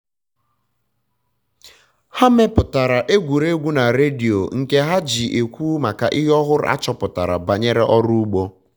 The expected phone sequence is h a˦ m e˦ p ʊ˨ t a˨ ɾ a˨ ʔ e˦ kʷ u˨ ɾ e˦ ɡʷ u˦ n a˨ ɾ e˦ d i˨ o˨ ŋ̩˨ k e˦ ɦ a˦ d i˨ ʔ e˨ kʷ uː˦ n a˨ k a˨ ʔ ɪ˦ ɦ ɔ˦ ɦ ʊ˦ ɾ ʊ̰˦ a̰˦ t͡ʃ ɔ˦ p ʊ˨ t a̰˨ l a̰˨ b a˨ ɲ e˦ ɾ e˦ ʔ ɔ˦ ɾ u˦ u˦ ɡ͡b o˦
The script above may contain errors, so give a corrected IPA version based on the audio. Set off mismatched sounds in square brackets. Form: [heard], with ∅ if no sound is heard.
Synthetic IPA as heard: h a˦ m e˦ p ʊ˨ t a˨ ɾ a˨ ʔ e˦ [ɡʷ] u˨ ɾ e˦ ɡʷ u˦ n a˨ ɾ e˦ d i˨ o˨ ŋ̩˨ k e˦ ɦ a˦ [d͡ʒ] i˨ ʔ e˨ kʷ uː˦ [m] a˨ k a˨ ʔ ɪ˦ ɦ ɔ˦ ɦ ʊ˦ ɾ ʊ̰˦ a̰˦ t͡ʃ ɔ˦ p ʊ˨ t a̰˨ [ɾ] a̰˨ b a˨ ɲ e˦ ɾ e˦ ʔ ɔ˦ ɾ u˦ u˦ ɡ͡b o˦